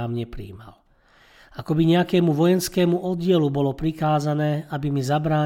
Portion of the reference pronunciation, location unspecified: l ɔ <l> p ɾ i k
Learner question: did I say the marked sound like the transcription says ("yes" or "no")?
no